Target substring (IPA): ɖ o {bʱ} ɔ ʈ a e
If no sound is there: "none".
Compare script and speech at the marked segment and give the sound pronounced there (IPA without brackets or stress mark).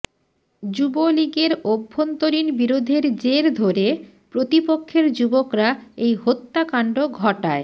ɡʱ